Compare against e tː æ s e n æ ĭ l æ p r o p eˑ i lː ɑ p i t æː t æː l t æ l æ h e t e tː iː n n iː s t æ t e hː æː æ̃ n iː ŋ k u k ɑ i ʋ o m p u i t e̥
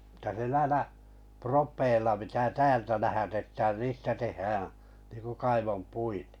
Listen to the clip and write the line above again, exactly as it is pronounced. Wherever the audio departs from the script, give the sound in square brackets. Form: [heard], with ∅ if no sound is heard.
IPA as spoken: e tː æ s e n æ ĭ l æ p r o p eˑ i lː ɑ p i t æː t æː l t æ l æ h [æ] t e tː [æː] n n iː s t æ t e hː æː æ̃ n iː ŋ k u k ɑ i ʋ o m p u i t e̥